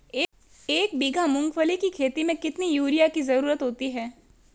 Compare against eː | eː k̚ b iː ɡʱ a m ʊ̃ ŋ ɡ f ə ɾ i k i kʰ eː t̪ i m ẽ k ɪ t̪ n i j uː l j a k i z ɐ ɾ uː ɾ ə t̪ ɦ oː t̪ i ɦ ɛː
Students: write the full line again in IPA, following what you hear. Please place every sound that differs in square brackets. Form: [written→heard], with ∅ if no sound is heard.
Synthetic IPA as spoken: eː | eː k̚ b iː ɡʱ a m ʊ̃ ŋ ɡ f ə [ɾ→l] i k i kʰ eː t̪ i m ẽ k ɪ t̪ n i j uː [l→ɾ] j a k i z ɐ ɾ uː ɾ ə t̪ ɦ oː t̪ i ɦ ɛː